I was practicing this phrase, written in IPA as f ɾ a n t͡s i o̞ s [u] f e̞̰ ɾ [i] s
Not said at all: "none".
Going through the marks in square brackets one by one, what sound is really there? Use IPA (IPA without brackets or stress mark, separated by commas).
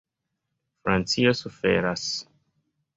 u, a